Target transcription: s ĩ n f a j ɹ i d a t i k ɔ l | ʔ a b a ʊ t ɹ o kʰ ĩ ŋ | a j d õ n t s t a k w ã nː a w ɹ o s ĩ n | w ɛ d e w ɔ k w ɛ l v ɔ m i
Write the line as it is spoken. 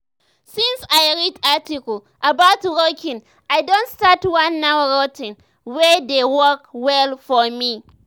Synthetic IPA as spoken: s ĩ n s a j ɹ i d a t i k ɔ l | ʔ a b a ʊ t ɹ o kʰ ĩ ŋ | a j d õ n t s t a t w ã nː a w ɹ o t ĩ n | w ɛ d e w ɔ k w ɛ l f ɔ m i